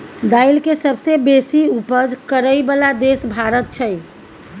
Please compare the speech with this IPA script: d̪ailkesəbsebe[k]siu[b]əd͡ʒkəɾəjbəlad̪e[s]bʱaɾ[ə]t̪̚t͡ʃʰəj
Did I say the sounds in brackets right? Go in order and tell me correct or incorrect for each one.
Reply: incorrect, incorrect, correct, correct

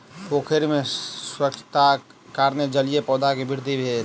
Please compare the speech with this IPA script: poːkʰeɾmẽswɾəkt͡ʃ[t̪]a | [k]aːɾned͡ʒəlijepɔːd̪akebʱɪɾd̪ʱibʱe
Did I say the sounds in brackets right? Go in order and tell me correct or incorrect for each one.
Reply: correct, correct

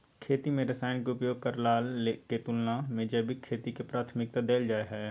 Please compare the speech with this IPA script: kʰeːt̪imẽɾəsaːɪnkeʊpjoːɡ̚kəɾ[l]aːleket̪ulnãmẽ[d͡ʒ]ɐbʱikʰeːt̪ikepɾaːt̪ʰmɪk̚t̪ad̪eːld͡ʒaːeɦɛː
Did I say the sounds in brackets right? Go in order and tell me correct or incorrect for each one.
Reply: correct, correct

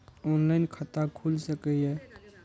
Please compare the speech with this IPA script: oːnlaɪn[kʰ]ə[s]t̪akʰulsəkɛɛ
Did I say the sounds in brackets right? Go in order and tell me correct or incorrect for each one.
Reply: correct, incorrect

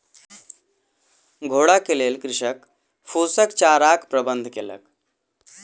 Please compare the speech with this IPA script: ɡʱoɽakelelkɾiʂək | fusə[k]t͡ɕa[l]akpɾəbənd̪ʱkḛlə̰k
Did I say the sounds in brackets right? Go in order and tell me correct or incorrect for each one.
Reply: correct, incorrect

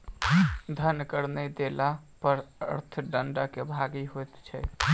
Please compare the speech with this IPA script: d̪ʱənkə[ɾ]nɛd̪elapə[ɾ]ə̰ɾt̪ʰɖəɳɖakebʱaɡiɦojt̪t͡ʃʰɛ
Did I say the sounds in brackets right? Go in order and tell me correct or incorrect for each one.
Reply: correct, correct

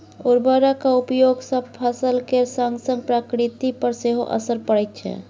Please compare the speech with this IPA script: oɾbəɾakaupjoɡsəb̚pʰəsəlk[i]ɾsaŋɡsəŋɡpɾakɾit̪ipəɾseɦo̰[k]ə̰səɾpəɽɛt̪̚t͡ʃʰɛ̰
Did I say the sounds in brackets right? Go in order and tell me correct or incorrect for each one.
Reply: incorrect, incorrect

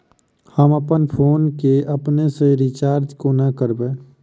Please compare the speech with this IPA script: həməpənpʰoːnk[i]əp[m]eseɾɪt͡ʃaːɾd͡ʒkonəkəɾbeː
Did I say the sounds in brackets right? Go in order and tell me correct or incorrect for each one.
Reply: incorrect, incorrect

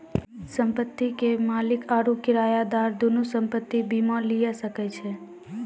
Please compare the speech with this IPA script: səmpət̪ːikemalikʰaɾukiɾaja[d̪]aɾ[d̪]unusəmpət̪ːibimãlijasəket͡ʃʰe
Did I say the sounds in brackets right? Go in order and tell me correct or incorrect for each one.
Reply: correct, correct

